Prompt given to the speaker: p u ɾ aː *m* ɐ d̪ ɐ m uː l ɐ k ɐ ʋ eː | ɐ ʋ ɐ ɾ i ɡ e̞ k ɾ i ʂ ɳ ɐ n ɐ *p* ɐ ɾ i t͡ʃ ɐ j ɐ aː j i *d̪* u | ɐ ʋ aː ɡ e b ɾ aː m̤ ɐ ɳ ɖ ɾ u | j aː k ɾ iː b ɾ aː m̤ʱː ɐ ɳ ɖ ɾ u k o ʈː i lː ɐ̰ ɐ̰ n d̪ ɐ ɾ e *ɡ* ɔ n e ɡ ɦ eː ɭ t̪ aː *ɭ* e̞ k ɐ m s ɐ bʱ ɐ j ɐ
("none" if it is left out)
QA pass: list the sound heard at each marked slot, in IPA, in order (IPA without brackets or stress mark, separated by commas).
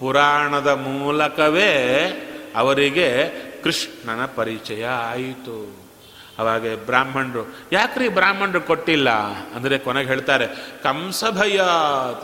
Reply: ɳ, p, t̪, k, ɾ